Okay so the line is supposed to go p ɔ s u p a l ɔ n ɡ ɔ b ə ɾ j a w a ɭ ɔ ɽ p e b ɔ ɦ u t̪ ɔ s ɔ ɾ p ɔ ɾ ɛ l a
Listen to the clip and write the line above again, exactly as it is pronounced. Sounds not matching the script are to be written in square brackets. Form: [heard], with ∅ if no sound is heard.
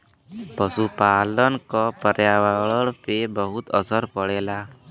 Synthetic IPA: p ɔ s u p a l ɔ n [k] ɔ [p] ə ɾ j a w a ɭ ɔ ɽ p e b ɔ ɦ u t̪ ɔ s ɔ ɾ p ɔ [ɽ] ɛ l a